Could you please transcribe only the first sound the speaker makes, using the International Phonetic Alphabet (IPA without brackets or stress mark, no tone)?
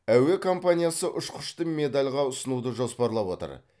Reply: æ